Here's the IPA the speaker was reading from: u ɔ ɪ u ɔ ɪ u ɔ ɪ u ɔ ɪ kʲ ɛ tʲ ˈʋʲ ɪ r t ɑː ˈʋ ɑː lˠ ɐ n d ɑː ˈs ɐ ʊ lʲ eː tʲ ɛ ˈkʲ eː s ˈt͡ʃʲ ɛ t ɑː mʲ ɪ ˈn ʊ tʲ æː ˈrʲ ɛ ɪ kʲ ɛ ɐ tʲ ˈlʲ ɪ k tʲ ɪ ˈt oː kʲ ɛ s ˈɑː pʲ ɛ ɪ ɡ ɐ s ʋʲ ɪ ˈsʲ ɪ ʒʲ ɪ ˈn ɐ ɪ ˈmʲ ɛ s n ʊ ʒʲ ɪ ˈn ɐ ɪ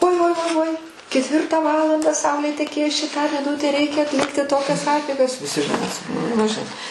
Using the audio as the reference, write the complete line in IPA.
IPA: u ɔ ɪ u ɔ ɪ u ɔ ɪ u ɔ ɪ kʲ ɛ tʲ ˈʋʲ ɪ r t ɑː ˈʋ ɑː lˠ ɐ n d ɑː ˈs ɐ ʊ lʲ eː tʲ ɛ ˈkʲ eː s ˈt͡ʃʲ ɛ t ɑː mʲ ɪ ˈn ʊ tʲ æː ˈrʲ ɛ ɪ kʲ ɛ ɐ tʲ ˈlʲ ɪ k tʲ ɪ ˈt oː kʲ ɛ s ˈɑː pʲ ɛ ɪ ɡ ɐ s ʋʲ ɪ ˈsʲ ɪ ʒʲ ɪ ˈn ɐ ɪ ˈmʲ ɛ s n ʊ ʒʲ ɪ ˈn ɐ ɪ